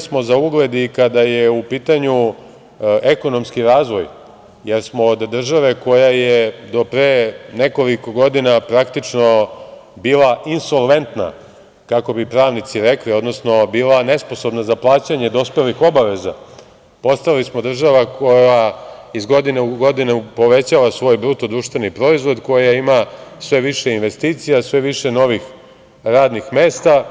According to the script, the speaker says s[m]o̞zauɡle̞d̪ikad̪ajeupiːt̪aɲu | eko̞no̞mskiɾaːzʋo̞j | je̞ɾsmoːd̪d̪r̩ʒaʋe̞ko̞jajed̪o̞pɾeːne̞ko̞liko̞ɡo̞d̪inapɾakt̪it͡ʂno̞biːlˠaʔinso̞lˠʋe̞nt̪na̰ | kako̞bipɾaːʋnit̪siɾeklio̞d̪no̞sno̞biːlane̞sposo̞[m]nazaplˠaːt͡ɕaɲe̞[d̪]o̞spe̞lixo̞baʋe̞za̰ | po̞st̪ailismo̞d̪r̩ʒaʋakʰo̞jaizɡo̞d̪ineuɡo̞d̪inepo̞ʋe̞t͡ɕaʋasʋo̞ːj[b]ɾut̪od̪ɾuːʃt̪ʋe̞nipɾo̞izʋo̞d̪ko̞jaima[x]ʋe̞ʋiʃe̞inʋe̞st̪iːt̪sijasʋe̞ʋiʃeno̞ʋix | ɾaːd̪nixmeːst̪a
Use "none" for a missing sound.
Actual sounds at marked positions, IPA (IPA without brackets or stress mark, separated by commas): m, b, d̪, b, s